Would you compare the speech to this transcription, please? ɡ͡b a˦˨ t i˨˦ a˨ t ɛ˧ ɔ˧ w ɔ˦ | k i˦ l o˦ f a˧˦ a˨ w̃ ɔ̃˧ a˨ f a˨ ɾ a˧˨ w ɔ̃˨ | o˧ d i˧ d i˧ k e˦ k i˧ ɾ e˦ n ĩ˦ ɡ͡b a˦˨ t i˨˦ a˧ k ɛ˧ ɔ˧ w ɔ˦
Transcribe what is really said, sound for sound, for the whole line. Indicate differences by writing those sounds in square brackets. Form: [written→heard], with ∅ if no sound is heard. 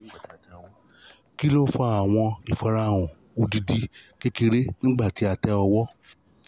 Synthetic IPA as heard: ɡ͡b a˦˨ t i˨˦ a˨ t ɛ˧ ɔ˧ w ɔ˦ | k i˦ l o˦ f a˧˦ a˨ w̃ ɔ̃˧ [a˨→i˨] f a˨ ɾ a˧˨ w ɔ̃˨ | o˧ d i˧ d i˧ k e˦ k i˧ ɾ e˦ n ĩ˦ ɡ͡b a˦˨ t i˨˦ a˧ [k→t] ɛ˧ ɔ˧ w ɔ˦

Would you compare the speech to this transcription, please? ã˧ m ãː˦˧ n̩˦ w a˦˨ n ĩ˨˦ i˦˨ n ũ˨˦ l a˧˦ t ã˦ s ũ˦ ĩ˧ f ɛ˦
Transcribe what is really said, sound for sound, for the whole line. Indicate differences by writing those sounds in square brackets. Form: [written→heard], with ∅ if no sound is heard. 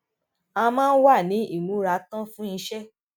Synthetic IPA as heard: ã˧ m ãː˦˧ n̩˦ w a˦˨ n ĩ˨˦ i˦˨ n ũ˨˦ [l→ɾ] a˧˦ t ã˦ [s→f] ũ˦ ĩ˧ [f→ʃ] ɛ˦

